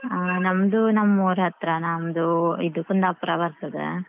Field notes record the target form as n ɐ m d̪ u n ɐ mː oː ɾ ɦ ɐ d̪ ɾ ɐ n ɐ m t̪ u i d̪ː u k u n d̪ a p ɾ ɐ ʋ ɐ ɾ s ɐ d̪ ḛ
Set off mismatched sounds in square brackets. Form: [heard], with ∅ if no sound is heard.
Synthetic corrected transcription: n ɐ m d̪ u n ɐ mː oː ɾ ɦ ɐ [t̪] ɾ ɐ n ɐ m [d̪] u i [d̪] u k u n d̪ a p ɾ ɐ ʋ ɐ ɾ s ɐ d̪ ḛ